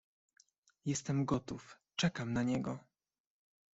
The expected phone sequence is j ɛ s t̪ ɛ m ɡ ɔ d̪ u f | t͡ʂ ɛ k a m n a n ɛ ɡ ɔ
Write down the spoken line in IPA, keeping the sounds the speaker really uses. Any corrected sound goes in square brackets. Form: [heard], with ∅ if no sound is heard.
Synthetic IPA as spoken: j ɛ s t̪ ɛ m ɡ ɔ [t̪] u f | t͡ʂ ɛ k a m n a [ɲ] ɛ ɡ ɔ

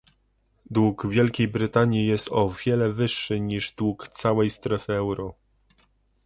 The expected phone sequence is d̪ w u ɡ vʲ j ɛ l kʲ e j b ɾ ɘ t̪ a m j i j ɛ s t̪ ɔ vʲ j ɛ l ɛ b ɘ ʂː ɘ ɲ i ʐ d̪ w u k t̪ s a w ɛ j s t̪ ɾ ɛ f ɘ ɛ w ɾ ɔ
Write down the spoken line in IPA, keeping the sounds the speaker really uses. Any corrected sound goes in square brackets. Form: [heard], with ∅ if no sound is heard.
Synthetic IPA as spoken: d̪ w u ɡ vʲ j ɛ l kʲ e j b ɾ ɘ t̪ a [ɲ] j i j ɛ s t̪ ɔ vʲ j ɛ l ɛ [v] ɘ ʂː ɘ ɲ i ʐ d̪ w u k t̪ s a w ɛ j s t̪ ɾ ɛ f ɘ ɛ w ɾ ɔ

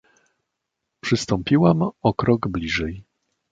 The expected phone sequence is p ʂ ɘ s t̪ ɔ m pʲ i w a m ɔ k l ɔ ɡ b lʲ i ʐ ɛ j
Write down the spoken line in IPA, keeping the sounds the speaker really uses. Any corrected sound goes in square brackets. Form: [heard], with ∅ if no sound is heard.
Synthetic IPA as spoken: p ʂ ɘ s t̪ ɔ m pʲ i w a m ɔ k [ɾ] ɔ ɡ b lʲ i ʐ ɛ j

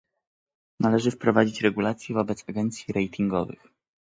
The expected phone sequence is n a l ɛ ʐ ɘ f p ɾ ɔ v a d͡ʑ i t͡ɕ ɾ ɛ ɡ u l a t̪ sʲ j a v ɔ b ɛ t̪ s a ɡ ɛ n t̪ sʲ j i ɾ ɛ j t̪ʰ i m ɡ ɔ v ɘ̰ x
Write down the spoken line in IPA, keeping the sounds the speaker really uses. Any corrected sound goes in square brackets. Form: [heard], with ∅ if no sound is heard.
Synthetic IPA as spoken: n a l ɛ ʐ ɘ f p ɾ ɔ v a d͡ʑ i t͡ɕ ɾ ɛ ɡ u l a t̪ sʲ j [ɛ] v ɔ b ɛ t̪ s a ɡ ɛ n t̪ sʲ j i ɾ ɛ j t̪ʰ i [ŋ] ɡ ɔ v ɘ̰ x

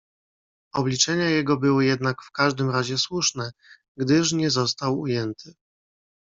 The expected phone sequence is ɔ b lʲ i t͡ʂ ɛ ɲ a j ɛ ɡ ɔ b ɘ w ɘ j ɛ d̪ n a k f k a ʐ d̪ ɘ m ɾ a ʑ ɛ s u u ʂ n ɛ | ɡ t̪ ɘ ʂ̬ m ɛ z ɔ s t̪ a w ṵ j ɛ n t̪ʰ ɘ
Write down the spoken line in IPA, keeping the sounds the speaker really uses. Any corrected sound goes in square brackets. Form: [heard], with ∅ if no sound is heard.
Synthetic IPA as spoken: ɔ b lʲ i t͡ʂ ɛ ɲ a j ɛ ɡ ɔ b ɘ w ɘ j ɛ d̪ n a k f k a ʐ d̪ ɘ m ɾ a ʑ ɛ s [w] u ʂ n ɛ | ɡ [d̪] ɘ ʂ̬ [ɲ] ɛ z ɔ s t̪ a w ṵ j ɛ n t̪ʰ ɘ

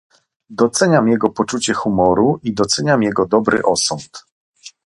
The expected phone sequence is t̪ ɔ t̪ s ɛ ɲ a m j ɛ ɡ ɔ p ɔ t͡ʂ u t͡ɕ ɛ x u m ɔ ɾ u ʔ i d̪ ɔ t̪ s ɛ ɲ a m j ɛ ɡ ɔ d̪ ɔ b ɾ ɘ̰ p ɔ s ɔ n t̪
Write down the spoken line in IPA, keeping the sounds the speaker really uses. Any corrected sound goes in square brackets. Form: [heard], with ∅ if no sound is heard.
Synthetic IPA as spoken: [d̪] ɔ t̪ s ɛ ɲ a m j ɛ ɡ ɔ p ɔ t͡ʂ u t͡ɕ ɛ x u m ɔ ɾ u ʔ i d̪ ɔ t̪ s ɛ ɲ a m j ɛ ɡ ɔ d̪ ɔ b ɾ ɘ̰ [ʔ] ɔ s ɔ n t̪

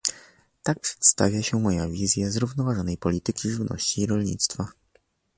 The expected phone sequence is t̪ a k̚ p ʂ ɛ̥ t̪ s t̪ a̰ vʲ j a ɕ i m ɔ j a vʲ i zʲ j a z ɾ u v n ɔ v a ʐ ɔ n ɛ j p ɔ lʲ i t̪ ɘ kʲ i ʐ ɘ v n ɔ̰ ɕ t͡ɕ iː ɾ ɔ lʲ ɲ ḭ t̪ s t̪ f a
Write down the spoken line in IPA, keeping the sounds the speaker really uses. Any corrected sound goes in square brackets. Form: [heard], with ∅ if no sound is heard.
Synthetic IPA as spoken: t̪ a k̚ p ʂ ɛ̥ t̪ s t̪ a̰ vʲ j a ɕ [ɛ] m ɔ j a vʲ i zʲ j a z ɾ u v n ɔ v a ʐ ɔ n ɛ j p ɔ lʲ i t̪ ɘ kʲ i ʐ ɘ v n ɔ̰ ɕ t͡ɕ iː ɾ ɔ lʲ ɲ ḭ t̪ s t̪ f a

